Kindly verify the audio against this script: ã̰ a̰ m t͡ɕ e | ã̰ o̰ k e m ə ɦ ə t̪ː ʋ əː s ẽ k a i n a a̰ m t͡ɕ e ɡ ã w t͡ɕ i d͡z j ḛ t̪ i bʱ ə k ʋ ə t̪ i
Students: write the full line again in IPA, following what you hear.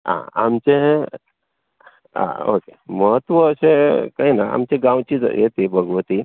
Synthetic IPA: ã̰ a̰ m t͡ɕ e | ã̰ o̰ k e m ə ɦ ə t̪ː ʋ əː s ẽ k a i n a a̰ m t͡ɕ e ɡ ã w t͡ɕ i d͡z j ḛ t̪ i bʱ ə ɡ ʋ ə t̪ i